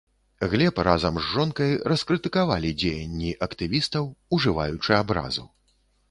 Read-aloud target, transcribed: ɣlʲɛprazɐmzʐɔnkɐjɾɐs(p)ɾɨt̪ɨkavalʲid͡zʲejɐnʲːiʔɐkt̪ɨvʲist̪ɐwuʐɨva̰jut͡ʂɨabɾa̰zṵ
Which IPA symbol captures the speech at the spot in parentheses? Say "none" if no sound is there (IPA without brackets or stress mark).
k